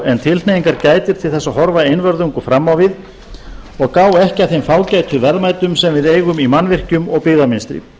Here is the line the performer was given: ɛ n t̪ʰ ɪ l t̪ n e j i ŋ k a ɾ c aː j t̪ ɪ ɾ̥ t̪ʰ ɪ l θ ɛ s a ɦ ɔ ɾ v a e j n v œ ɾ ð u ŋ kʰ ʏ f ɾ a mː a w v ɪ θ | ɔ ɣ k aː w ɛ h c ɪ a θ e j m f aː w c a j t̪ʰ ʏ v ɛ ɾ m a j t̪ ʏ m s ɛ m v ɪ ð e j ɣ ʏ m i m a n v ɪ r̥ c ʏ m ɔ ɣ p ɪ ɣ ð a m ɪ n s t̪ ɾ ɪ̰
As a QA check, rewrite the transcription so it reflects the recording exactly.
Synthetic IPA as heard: ɛ n t̪ʰ ɪ l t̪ n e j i ŋ k a ɾ c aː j t̪ ɪ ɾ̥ t̪ʰ ɪ l θ ɛ s a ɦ ɔ ɾ v a e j n v œ ɾ ð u ŋ k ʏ f ɾ a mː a w v ɪ ð | ɔ ɣ k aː w ɛ h c ɪ a θ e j m f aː w c a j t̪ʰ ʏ v ɛ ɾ m a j t̪ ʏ m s ɛ m v ɪ ð e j ɣ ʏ m i m a n v ɪ r̥ c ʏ m ɔ ɣ p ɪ ɣ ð a m ɪ n s t̪ ɾ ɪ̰